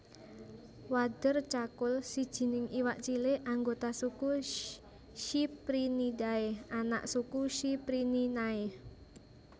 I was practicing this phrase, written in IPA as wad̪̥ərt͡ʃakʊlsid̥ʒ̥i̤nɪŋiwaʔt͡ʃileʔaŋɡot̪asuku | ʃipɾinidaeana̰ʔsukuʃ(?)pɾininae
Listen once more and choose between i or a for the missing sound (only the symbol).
i